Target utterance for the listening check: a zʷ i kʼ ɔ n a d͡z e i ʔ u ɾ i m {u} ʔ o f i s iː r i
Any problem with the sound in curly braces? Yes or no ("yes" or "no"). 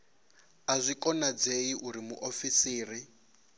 no